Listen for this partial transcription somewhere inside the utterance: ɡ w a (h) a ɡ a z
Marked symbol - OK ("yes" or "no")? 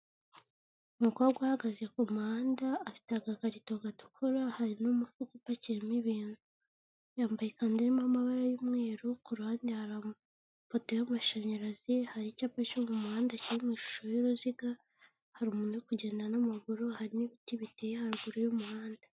yes